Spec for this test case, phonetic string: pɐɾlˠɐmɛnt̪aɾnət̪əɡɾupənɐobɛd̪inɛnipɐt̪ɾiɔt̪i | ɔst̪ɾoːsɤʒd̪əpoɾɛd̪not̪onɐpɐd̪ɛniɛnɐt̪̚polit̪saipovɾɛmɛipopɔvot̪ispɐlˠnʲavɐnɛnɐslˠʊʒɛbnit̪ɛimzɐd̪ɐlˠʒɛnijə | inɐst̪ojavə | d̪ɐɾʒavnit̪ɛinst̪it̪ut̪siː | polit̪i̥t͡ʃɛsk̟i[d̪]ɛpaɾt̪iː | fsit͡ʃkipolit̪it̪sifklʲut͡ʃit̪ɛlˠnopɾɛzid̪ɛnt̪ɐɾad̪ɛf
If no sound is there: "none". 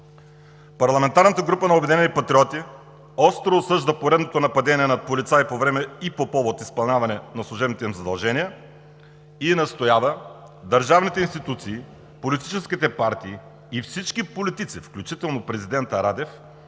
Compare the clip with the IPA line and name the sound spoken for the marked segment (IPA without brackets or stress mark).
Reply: t̪